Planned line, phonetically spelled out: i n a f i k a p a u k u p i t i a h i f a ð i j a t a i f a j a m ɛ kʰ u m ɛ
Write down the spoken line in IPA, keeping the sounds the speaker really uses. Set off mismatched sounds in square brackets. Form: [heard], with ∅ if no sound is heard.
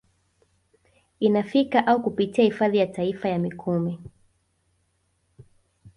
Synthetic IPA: i n a f i k a [ʔ] a u k u p i t i a h i f a ð i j a t a i f a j a m [i] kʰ u m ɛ